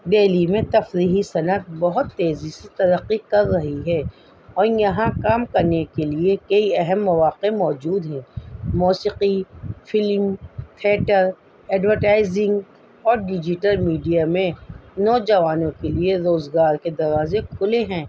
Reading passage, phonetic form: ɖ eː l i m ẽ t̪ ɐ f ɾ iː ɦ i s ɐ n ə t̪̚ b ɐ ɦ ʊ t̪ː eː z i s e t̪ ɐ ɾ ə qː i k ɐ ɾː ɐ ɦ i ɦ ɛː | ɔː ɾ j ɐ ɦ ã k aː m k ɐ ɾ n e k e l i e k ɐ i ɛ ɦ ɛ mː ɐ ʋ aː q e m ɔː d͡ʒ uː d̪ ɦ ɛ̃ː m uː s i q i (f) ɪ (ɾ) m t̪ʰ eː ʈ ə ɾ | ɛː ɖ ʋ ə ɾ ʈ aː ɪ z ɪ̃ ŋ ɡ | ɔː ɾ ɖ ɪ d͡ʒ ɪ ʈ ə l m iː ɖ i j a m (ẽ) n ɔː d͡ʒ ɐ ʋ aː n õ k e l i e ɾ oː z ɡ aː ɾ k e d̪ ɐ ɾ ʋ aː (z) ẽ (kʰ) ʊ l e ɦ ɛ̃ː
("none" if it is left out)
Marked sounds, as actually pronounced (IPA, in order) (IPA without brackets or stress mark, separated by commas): f, l, ẽ, z, kʰ